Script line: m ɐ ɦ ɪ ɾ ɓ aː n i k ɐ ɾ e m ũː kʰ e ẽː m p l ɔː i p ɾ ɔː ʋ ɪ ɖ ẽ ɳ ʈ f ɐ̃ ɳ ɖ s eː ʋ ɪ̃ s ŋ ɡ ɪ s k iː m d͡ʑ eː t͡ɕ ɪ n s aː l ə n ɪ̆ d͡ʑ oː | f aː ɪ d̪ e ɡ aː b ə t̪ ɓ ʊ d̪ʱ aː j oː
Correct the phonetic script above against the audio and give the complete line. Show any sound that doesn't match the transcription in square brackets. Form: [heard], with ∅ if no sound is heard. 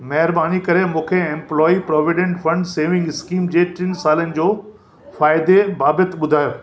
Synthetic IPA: m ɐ ɦ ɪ ɾ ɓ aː n i k ɐ ɾ e m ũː kʰ e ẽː m p l ɔː i p ɾ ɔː ʋ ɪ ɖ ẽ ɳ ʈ f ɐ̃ ɳ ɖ s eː ʋ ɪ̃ [∅] ŋ ɡ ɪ s k iː m d͡ʑ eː t͡ɕ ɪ n s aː l ə n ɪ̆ d͡ʑ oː | f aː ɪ d̪ e [b] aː b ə t̪ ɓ ʊ d̪ʱ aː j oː

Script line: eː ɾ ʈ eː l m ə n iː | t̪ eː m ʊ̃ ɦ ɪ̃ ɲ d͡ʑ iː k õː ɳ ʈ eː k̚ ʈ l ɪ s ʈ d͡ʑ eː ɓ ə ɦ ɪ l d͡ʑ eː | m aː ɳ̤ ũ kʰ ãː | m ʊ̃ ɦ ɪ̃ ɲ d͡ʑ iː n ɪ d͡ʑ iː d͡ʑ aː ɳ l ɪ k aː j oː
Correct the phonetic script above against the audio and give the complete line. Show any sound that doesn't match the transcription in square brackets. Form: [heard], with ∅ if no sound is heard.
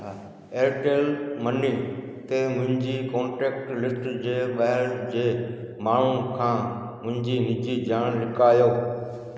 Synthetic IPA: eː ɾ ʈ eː l m ə n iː | t̪ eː m ʊ̃ ɦ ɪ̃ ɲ d͡ʑ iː k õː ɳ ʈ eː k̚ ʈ l ɪ s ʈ d͡ʑ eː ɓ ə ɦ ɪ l d͡ʑ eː | m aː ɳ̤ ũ kʰ ãː | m ʊ̃ ɦ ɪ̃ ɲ d͡ʑ iː n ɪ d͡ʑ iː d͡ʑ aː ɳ l ɪ k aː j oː

